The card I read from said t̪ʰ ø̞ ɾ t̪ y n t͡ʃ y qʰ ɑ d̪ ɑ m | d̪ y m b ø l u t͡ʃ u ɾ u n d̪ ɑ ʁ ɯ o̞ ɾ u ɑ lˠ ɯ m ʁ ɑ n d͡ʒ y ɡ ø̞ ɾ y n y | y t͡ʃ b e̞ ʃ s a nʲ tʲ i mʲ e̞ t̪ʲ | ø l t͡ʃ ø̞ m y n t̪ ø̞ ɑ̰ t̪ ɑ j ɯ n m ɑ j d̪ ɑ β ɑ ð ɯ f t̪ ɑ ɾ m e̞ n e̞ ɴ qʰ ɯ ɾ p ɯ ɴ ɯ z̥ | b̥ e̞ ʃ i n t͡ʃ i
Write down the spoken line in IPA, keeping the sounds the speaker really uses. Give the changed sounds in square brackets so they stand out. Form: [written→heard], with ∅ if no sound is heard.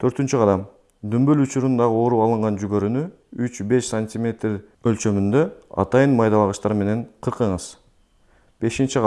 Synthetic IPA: t̪ʰ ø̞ ɾ t̪ y n t͡ʃ y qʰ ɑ d̪ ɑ m | d̪ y m b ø l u t͡ʃ u ɾ u n d̪ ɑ ʁ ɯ o̞ ɾ u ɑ lˠ ɯ [m→ɴ] ʁ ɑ n d͡ʒ y ɡ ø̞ ɾ y n y | y t͡ʃ b e̞ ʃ s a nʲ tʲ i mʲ e̞ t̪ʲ | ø l t͡ʃ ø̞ m y n [t̪→d̪] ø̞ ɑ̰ t̪ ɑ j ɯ n m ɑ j d̪ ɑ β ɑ [ð→ʁ] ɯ [f→ʃ] t̪ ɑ ɾ m e̞ n e̞ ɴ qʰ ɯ ɾ [p→q] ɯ ɴ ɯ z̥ | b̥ e̞ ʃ i n t͡ʃ i